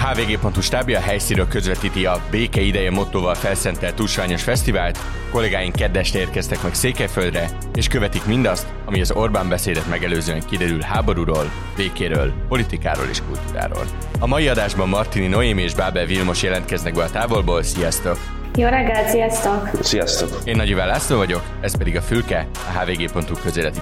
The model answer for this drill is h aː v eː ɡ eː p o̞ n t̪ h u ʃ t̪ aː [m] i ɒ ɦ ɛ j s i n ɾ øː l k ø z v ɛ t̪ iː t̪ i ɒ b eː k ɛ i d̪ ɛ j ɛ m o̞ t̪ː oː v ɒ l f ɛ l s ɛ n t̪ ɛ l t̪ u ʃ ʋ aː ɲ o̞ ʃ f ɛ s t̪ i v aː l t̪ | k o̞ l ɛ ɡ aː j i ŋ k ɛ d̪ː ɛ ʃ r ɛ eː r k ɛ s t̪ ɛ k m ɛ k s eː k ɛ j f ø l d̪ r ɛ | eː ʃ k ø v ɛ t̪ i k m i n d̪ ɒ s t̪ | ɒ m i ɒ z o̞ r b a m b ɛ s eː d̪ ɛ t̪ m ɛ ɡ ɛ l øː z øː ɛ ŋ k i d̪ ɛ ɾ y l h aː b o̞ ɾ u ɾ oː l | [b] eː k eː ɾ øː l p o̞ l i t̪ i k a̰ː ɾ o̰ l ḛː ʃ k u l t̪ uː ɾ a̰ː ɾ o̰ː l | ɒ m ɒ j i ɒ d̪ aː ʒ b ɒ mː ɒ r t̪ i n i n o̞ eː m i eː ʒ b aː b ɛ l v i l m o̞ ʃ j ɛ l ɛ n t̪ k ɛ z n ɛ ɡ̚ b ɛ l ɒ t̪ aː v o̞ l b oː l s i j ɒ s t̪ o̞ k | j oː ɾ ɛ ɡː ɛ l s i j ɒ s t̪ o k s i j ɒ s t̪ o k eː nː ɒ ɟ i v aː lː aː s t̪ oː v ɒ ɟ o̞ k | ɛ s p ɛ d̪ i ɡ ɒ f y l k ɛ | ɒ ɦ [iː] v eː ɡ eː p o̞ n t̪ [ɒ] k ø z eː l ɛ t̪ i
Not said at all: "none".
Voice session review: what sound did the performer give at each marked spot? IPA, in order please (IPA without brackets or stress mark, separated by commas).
b, v, aː, u